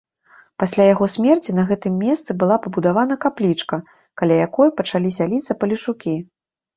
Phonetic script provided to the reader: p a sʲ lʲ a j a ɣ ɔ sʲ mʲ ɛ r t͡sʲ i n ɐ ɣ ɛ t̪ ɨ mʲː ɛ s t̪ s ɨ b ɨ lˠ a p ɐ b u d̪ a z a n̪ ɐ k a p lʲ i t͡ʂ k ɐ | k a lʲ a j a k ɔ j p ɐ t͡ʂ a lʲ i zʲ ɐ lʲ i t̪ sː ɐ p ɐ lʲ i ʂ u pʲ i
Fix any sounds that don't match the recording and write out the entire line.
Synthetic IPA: p a sʲ lʲ a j a ɣ ɔ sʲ mʲ ɛ r t͡sʲ i n ɐ ɣ ɛ t̪ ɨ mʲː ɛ s t̪ s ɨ b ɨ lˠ a p ɐ b u d̪ a v a n̪ ɐ k a p lʲ i t͡ʂ k ɐ | k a lʲ a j a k ɔ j p ɐ t͡ʂ a lʲ i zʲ a lʲ i t̪ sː ɐ p ɐ lʲ i ʂ u kʲ i